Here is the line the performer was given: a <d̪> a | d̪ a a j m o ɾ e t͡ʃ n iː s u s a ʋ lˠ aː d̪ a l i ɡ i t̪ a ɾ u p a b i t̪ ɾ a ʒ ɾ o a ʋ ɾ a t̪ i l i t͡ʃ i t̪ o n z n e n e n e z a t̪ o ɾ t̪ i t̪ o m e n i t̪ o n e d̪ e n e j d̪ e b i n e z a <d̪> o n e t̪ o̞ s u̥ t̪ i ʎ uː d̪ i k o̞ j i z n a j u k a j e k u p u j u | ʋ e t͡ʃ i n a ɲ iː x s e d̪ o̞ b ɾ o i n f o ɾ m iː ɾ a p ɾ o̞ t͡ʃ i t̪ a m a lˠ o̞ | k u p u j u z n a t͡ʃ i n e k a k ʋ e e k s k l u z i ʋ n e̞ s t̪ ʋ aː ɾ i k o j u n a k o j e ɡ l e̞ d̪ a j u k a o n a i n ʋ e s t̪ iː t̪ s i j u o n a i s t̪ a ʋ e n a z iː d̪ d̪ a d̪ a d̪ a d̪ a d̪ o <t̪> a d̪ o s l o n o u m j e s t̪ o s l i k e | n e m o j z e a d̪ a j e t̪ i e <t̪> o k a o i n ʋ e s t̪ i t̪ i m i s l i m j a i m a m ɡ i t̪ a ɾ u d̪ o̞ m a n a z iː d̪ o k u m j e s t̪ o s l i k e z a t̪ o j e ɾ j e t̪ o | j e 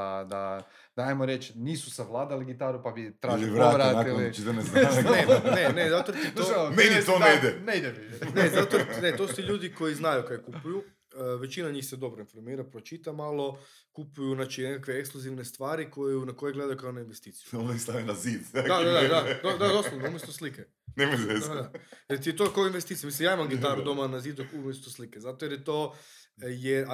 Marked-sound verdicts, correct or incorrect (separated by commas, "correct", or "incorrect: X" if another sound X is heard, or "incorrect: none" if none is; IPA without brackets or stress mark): correct, incorrect: t̪, incorrect: d̪, correct